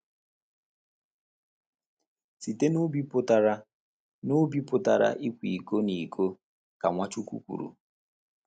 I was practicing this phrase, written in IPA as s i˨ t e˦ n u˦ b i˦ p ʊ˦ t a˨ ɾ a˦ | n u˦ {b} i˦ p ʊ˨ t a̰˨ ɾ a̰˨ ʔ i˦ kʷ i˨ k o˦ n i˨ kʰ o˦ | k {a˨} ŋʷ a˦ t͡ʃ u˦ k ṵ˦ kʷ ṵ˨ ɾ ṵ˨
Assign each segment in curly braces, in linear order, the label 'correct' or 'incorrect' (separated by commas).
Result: correct, correct